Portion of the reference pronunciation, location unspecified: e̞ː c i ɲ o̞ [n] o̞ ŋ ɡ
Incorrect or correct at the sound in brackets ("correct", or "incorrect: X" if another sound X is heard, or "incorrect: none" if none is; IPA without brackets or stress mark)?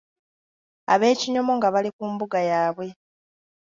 incorrect: m